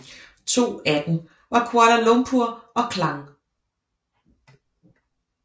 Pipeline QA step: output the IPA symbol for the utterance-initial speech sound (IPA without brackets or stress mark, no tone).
t͡sʰ